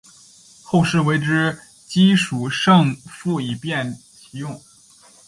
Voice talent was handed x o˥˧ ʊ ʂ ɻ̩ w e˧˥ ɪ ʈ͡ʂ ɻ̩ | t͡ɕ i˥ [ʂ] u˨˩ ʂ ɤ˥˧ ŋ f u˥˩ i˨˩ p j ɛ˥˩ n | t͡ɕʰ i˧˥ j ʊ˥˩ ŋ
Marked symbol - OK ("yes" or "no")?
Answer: yes